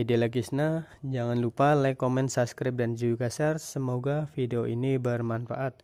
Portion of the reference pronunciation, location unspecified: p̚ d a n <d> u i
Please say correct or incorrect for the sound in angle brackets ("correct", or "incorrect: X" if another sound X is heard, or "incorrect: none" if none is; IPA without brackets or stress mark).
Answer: incorrect: d͡ʒ